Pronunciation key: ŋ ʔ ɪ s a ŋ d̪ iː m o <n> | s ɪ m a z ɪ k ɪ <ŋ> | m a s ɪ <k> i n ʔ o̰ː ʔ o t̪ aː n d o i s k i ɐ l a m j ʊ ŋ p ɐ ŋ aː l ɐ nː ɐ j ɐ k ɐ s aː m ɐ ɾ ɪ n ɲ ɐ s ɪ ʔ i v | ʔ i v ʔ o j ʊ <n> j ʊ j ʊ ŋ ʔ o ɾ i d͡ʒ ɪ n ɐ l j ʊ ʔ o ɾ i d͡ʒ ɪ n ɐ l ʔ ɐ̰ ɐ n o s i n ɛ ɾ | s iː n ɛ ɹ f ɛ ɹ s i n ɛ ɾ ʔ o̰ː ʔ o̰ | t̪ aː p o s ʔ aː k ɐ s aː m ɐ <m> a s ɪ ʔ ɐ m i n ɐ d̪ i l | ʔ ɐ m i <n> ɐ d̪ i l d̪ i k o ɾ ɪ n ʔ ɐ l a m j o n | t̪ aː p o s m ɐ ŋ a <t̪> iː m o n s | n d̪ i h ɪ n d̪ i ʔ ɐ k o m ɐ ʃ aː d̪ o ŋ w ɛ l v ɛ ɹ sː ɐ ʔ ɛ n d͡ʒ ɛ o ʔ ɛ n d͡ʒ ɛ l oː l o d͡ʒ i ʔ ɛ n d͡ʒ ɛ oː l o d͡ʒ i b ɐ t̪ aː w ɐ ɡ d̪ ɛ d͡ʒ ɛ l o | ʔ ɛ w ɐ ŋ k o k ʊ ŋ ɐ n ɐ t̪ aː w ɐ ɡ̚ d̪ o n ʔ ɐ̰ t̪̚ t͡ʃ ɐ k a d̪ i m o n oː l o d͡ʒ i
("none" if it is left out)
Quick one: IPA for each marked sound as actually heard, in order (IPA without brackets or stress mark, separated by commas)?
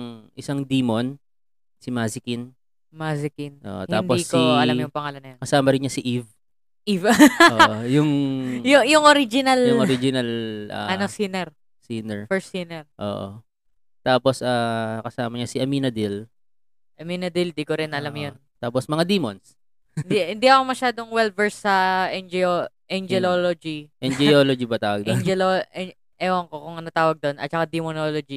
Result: n, n, k, ŋ, ɲ, n, d̪